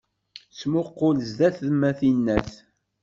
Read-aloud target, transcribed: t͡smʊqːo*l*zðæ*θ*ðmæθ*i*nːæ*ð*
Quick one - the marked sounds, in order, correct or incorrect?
correct, correct, correct, incorrect: θ

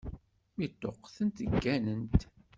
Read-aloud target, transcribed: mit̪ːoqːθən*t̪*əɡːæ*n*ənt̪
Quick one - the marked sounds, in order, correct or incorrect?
correct, correct

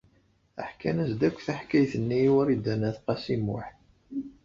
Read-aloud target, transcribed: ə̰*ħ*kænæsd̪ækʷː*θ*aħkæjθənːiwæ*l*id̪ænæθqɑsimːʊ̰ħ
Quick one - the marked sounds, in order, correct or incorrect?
correct, correct, incorrect: ɾ

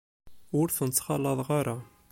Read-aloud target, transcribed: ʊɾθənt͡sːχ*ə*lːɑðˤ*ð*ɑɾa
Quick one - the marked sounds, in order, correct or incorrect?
incorrect: ɑ, incorrect: ʁ

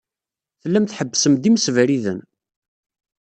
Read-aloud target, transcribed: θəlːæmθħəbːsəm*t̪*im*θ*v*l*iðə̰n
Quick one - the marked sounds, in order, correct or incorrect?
incorrect: d̪, incorrect: s, incorrect: ɾ

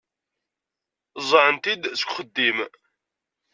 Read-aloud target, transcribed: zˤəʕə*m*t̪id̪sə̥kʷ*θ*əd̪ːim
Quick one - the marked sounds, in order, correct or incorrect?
incorrect: n, incorrect: χ

